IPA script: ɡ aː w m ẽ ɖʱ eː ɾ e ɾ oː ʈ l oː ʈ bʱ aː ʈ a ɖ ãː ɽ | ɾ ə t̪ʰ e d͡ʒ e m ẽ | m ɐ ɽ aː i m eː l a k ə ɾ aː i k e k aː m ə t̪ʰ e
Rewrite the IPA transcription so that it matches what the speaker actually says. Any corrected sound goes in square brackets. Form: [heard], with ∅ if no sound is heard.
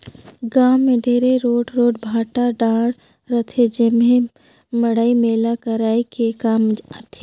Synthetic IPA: ɡ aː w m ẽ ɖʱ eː ɾ e ɾ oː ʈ [ɾ] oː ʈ bʱ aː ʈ a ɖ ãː ɽ | ɾ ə t̪ʰ e d͡ʒ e m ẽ | m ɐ ɽ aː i m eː l a k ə ɾ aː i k e k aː m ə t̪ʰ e

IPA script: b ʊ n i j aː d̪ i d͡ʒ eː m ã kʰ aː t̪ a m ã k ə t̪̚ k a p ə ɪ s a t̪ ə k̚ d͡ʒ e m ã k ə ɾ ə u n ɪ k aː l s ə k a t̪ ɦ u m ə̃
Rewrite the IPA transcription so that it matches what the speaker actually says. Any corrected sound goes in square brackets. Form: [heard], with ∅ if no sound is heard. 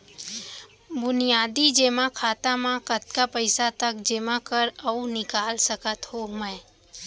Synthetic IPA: b ʊ n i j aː d̪ i d͡ʒ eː m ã kʰ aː t̪ a m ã k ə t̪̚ k a p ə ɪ s a t̪ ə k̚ d͡ʒ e m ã k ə ɾ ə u n ɪ k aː l s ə k [ə] t̪ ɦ [o] m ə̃

